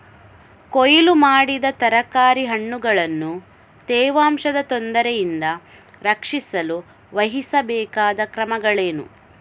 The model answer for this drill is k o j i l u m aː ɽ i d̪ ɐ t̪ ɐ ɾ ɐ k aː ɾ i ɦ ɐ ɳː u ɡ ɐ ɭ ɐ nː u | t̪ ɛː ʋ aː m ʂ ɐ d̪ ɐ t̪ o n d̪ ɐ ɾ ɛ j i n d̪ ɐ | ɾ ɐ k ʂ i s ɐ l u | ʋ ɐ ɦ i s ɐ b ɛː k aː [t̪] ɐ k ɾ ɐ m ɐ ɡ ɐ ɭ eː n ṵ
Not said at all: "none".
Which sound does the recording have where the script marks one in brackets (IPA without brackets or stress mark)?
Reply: d̪